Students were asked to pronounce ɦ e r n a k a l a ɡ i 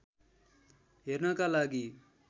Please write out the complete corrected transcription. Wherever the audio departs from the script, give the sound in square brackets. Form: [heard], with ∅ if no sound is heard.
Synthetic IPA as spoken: ɦ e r n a k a l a ɡ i